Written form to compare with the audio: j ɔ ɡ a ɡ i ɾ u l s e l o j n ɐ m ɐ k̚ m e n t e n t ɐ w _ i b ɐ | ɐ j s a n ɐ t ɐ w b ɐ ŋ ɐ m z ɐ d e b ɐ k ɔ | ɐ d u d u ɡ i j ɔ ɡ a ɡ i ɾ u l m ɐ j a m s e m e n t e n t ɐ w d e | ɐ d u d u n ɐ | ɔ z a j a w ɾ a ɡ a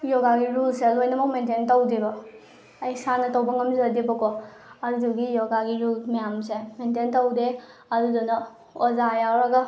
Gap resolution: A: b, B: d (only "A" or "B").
B